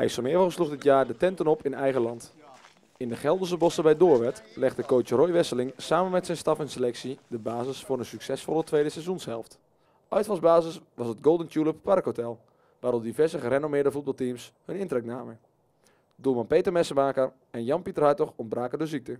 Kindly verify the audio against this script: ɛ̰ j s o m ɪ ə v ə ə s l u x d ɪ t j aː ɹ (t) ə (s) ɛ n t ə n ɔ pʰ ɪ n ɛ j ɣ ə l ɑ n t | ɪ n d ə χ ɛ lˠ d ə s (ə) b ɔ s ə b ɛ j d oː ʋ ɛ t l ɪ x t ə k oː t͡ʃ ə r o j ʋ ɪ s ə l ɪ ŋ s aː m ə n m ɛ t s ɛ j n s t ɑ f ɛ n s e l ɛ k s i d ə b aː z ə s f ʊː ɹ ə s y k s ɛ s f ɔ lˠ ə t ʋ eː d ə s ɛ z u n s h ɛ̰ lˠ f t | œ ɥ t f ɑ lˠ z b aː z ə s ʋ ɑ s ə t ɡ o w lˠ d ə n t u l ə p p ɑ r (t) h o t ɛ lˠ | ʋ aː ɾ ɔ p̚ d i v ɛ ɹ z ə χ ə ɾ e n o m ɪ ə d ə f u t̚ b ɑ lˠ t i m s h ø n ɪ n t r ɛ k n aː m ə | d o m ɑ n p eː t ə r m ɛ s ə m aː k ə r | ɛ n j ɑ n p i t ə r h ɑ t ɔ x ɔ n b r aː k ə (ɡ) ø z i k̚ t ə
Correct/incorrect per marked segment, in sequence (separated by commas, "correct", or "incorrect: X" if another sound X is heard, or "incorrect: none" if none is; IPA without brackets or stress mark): incorrect: d, incorrect: t, correct, incorrect: k, incorrect: d